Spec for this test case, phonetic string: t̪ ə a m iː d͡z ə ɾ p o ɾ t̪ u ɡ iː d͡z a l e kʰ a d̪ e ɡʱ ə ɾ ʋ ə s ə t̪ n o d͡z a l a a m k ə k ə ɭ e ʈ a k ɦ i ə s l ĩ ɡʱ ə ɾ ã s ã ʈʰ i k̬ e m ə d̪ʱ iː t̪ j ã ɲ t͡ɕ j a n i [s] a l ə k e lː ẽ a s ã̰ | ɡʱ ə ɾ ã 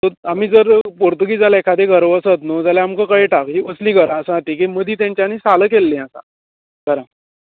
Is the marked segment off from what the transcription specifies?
no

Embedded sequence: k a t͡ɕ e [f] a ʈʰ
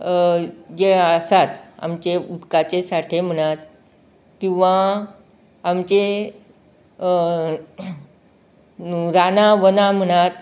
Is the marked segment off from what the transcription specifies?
yes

